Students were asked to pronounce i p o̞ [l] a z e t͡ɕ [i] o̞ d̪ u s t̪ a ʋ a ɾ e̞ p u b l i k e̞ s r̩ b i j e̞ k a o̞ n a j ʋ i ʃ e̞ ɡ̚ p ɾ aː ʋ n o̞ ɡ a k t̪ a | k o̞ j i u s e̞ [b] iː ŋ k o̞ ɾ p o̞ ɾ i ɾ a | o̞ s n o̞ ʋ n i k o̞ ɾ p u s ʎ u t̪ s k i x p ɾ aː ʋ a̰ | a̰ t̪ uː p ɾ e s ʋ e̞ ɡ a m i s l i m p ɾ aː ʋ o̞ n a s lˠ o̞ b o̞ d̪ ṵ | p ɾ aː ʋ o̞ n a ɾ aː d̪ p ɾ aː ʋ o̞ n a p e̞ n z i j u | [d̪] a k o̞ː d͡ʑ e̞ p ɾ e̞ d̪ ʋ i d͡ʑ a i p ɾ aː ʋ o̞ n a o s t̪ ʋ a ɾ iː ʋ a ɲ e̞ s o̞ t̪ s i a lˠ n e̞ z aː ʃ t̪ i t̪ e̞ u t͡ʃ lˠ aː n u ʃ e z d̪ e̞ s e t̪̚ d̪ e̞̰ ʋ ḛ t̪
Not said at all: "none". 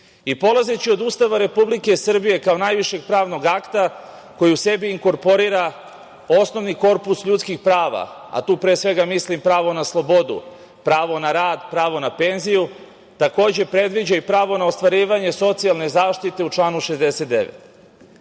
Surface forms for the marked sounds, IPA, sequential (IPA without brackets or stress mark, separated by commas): l, i, b, t̪